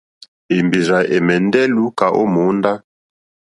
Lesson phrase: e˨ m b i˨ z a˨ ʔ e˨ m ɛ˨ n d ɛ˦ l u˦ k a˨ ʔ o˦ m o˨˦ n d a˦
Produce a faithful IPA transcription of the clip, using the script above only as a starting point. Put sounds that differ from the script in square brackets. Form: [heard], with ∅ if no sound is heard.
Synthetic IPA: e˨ m b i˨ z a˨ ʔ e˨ m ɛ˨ n d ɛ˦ l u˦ k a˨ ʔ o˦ m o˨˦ n d a˦